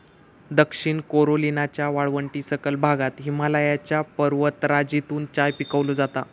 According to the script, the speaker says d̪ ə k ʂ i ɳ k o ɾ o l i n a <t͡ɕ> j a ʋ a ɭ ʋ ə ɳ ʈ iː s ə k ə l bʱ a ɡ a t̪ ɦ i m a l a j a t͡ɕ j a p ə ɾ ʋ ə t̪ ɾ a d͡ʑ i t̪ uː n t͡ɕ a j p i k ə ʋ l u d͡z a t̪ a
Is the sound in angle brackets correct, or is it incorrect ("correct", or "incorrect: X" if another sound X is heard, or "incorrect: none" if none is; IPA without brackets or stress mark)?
correct